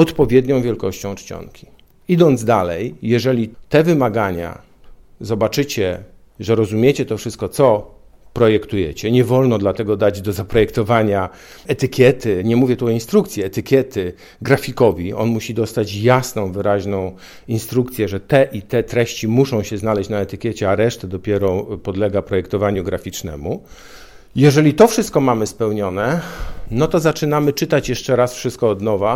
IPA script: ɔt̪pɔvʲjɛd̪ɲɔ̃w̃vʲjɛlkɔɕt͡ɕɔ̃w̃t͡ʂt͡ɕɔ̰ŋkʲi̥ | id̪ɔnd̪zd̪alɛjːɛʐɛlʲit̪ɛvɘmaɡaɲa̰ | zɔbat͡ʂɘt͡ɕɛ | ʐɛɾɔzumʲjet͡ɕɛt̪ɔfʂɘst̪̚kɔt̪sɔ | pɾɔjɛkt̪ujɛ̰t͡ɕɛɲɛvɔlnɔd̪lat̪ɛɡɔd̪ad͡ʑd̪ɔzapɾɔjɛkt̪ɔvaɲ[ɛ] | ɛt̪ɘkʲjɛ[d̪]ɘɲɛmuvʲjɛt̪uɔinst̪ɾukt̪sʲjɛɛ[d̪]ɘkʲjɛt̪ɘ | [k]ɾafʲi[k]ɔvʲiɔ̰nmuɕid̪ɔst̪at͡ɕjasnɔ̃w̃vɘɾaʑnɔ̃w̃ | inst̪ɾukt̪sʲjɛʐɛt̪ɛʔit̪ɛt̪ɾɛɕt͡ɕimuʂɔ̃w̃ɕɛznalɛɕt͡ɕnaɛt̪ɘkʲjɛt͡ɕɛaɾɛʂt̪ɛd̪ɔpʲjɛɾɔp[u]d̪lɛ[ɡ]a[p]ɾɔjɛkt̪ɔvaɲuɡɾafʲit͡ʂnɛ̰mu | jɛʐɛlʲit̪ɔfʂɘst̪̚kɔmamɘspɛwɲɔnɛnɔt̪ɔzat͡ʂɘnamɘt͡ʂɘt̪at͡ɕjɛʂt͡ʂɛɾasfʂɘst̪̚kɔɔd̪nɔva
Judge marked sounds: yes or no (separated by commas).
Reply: no, no, no, no, yes, no, yes, yes